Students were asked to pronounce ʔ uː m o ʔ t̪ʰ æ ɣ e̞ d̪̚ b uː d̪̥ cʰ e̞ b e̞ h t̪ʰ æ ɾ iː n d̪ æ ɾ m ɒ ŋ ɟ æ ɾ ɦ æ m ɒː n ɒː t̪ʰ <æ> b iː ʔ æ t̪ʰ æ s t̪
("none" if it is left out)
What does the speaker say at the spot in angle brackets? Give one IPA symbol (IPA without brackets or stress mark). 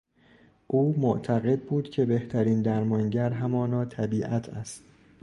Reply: æ